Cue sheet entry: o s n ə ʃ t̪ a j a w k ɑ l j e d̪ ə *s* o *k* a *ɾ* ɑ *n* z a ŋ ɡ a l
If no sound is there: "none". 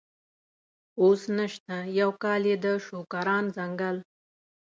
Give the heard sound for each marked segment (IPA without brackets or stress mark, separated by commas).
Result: ʃ, k, ɾ, n